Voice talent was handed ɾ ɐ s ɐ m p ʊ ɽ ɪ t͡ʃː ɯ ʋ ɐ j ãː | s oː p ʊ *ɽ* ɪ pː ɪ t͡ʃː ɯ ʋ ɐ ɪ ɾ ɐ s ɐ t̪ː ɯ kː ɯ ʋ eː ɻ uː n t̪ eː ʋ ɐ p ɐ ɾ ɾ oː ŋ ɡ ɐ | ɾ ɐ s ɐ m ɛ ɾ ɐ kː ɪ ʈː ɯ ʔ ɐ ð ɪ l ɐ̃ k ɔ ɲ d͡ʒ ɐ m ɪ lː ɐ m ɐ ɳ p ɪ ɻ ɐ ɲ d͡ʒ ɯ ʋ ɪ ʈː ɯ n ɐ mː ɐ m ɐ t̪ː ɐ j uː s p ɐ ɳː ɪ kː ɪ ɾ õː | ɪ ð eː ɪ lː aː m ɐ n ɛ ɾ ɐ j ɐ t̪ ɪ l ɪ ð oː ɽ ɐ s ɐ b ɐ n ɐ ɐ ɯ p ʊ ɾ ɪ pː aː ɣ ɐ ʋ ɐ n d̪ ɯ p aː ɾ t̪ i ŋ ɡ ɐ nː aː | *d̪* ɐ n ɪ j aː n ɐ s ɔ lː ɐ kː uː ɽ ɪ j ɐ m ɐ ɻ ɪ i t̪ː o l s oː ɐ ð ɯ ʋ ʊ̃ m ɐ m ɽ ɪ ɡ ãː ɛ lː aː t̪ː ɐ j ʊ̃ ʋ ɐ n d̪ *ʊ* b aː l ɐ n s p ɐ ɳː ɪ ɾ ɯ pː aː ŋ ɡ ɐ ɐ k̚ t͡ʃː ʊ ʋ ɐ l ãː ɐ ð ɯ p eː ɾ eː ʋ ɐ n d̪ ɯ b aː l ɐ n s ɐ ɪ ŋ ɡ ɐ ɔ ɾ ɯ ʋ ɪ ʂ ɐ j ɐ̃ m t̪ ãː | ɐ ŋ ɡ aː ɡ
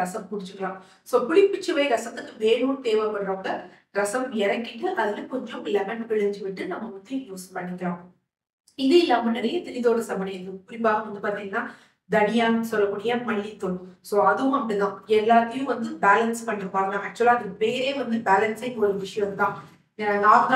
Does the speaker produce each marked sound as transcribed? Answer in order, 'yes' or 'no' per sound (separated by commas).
yes, yes, no